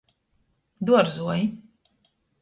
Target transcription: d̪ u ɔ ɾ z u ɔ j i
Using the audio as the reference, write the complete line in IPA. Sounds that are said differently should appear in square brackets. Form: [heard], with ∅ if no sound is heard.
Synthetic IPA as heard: d̪ u ɔ ɾ z u ɔ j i